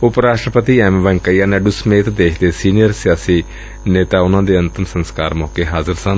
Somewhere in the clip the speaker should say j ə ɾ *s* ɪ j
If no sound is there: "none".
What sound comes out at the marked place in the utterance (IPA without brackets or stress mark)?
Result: s